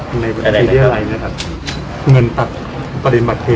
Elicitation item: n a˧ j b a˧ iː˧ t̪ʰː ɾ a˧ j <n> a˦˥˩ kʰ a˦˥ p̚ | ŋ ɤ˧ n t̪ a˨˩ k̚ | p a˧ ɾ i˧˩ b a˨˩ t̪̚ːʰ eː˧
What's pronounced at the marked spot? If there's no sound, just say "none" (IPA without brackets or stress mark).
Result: n